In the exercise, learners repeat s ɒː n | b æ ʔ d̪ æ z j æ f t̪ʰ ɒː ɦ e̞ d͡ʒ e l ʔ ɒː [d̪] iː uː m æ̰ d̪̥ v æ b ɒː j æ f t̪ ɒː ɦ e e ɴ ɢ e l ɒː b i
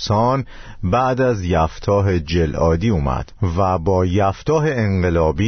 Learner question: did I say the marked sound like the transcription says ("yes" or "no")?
yes